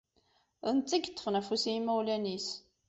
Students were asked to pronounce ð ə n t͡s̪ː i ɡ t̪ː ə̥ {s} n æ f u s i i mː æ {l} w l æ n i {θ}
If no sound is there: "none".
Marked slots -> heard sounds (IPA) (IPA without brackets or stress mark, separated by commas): f, none, s